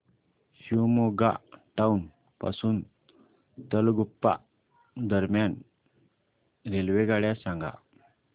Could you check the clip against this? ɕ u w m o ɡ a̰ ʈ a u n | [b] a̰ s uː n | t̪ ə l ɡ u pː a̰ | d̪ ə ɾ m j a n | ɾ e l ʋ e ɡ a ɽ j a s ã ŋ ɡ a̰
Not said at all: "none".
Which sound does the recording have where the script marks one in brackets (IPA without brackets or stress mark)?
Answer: p